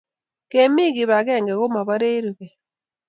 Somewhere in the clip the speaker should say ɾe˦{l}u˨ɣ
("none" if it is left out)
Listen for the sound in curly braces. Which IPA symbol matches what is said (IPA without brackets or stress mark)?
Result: ɾ